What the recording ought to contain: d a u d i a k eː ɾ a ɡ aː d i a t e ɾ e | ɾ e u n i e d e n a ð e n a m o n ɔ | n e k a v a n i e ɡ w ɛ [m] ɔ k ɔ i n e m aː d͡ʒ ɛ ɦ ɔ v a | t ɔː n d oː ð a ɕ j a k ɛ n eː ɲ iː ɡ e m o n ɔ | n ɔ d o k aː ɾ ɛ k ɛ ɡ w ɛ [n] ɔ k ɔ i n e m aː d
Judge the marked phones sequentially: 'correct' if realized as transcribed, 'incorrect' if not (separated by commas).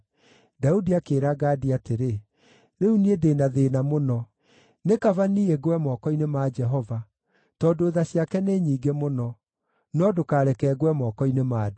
correct, incorrect